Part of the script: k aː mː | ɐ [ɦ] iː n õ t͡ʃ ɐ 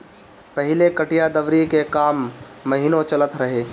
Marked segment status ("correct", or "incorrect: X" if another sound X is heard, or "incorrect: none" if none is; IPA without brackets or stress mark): correct